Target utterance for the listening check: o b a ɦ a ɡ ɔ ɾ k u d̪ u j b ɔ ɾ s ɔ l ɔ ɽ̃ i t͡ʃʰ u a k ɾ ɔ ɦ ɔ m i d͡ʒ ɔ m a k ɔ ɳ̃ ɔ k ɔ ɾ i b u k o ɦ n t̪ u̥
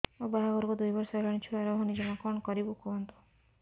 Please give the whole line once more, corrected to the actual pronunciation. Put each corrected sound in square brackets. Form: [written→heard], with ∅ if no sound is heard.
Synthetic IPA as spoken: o b a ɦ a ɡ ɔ ɾ k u d̪ u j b ɔ ɾ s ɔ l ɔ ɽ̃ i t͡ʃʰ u a [k→∅] ɾ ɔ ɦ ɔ [m→n] i d͡ʒ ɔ m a k ɔ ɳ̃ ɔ k ɔ ɾ i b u k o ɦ n t̪ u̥